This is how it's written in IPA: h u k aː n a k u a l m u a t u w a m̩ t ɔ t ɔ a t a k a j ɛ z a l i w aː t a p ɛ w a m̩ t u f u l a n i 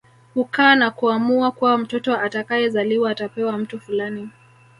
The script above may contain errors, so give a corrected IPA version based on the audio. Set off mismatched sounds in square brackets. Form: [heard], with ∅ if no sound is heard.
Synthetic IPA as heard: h u k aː n a k u a [∅] m u a [k] u w a m̩ t ɔ t ɔ a t a k a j ɛ z a l i w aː t a p ɛ w a m̩ t u f u l a n i

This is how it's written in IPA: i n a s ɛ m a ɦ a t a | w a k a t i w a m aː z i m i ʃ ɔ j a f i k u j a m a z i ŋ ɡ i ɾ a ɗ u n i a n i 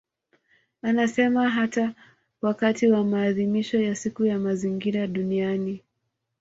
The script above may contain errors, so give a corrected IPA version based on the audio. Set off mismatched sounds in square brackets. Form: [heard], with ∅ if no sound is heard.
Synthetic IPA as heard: [a] n a s ɛ m a ɦ a t a | w a k a t i w a m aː [ð] i m i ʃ ɔ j a [s] i k u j a m a z i ŋ ɡ i ɾ a ɗ u n i a n i

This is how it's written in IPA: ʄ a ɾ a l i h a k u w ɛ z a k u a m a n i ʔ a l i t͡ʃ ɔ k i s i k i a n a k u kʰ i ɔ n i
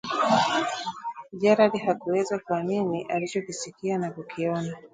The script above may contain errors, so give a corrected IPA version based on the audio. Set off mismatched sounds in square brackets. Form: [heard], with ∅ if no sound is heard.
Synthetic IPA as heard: ʄ a ɾ a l i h a k u w ɛ z a k u a m [i] n i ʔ a l i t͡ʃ ɔ k i s i k i a n a k u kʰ i ɔ n [a]

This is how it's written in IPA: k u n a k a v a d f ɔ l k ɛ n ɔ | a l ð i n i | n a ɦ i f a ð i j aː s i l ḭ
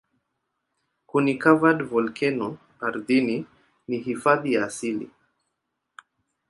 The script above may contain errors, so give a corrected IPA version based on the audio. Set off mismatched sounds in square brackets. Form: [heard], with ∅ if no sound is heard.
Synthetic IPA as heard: k u n [i] k a v a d [v] ɔ l k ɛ n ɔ | a [ɾ] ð i n i | n [i] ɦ i f a ð i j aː s i l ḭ

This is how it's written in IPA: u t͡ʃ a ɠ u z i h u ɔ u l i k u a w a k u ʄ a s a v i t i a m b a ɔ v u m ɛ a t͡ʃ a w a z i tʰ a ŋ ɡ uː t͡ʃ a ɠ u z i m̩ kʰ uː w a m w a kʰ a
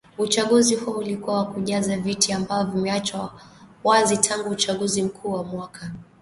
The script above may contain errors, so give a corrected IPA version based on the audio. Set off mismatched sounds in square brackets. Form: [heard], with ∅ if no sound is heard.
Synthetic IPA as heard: u t͡ʃ a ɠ u z i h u ɔ u l i k u a w a k u ʄ a [z] a v i t i a m b a ɔ v u m ɛ a t͡ʃ a w a z i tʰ a ŋ ɡ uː t͡ʃ a ɠ u z i m̩ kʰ uː w a m w a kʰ a

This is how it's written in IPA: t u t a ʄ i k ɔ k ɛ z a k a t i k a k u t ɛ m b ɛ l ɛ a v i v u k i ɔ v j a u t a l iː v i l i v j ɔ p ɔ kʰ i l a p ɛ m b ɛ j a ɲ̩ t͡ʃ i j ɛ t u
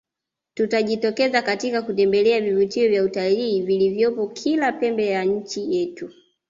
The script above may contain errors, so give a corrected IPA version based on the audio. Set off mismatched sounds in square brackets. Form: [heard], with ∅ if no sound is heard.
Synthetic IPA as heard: t u t a ʄ i [t] ɔ k ɛ z a k a t i k a k u t ɛ m b ɛ l ɛ a v i v u [t] i ɔ v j a u t a l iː v i l i v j ɔ p ɔ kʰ i l a p ɛ m b ɛ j a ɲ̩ t͡ʃ i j ɛ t u

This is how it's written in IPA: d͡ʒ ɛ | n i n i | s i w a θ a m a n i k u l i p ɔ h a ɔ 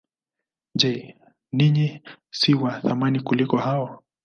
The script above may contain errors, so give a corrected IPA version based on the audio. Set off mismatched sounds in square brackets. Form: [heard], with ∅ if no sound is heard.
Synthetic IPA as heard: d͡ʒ ɛ | n i [ɲ] i | s i w a θ a m a n i k u l i [k] ɔ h a ɔ

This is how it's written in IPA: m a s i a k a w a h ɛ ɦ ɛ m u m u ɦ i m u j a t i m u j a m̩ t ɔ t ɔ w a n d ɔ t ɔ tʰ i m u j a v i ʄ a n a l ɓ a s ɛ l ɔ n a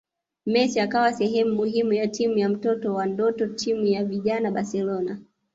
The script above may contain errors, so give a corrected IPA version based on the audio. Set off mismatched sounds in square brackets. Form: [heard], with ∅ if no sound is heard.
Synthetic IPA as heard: m [ɛ] s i a k a w a [s] ɛ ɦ ɛ m u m u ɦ i m u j a t i m u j a m̩ t ɔ t ɔ w a n d ɔ t ɔ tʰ i m u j a v i ʄ a n a [∅] ɓ a s ɛ l ɔ n a

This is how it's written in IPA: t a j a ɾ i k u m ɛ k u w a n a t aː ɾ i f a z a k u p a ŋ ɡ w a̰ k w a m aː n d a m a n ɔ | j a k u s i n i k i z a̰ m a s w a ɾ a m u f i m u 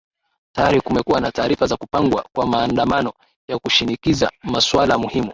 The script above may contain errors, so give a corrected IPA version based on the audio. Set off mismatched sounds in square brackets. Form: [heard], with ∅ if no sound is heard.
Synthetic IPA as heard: t a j a ɾ i k u m ɛ k u w a n a t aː ɾ i f a z a k u p a ŋ ɡ w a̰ k w a m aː n d a m a n ɔ | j a k u [ʃ] i n i k i z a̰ m a s w a [l] a m u [h] i m u

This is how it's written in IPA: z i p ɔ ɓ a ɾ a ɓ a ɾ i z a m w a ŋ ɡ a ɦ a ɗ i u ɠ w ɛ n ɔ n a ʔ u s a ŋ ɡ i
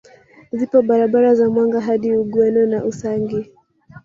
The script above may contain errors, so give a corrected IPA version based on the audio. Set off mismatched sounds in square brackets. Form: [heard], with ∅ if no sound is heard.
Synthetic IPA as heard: z i p ɔ ɓ a ɾ a ɓ a ɾ [a] z a m w a ŋ ɡ a ɦ a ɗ i u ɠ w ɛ n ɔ n a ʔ u s a ŋ ɡ i

